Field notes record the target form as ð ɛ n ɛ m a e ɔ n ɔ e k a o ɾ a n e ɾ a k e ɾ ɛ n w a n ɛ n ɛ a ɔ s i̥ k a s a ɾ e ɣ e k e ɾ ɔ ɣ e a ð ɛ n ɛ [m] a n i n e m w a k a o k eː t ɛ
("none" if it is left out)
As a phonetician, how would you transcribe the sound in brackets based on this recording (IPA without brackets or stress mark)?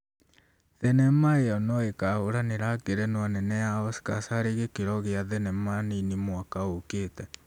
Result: m